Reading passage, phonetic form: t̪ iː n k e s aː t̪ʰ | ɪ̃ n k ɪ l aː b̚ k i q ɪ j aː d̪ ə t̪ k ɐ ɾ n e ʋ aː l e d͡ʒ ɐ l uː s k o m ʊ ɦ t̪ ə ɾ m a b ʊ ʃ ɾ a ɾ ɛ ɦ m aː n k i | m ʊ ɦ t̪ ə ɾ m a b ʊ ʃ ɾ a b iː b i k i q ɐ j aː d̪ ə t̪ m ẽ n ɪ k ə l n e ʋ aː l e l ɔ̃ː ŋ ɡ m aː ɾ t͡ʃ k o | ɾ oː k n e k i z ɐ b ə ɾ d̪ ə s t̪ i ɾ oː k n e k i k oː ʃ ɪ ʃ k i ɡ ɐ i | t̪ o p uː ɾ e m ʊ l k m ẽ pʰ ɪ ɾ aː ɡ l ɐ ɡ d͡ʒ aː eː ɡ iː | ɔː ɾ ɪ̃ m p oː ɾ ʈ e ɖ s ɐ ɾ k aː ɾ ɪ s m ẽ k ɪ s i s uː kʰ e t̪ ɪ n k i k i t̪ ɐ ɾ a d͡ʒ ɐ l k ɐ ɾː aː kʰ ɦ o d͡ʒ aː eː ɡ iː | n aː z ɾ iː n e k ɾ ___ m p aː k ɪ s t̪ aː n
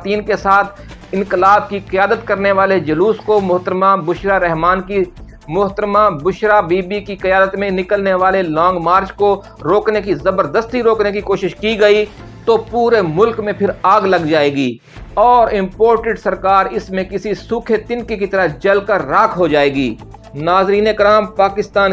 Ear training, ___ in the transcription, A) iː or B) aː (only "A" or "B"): B